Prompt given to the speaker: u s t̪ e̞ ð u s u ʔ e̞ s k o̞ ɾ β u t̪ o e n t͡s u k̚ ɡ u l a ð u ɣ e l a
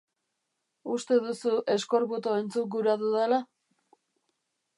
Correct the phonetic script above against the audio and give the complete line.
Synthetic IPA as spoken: u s t̪ e̞ ð u s u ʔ e̞ s k o̞ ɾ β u t̪ o e n t͡s u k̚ ɡ u ɾ a ð u ð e l a